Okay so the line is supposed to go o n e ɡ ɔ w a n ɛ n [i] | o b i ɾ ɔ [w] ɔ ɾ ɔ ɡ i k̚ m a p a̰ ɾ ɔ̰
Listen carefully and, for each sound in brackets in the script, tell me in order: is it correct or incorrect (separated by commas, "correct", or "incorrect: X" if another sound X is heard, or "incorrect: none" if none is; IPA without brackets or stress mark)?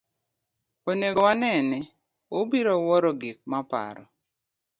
incorrect: ɛ, correct